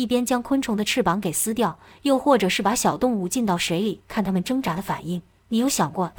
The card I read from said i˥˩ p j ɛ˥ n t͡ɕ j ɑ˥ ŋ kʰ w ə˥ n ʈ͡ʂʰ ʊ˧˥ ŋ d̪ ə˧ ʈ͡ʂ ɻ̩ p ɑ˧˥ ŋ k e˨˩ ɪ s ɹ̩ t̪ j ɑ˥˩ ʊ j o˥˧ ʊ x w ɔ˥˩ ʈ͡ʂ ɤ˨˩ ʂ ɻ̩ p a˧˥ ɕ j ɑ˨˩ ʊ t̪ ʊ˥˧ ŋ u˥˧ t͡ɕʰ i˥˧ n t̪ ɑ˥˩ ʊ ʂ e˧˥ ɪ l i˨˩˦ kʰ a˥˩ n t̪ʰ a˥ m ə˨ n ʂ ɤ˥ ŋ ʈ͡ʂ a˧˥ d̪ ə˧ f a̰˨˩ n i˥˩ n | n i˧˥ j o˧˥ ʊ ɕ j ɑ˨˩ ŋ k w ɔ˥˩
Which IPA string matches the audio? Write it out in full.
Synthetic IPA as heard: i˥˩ p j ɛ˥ n t͡ɕ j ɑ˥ ŋ kʰ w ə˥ n ʈ͡ʂʰ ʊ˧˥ ŋ d̪ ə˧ ʈ͡ʂʰ ɻ̩ p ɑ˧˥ ŋ k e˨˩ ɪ s ɹ̩ t̪ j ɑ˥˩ ʊ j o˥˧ ʊ x w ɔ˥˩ ʈ͡ʂ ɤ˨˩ ʂ ɻ̩ p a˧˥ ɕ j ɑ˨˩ ʊ t̪ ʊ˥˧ ŋ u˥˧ t͡ɕ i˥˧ n t̪ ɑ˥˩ ʊ ʂ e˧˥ ɪ l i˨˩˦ kʰ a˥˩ n t̪ʰ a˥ m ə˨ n ʈ͡ʂ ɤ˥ ŋ ʈ͡ʂ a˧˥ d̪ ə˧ f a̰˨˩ n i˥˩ ŋ | n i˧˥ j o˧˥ ʊ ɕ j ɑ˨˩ ŋ k w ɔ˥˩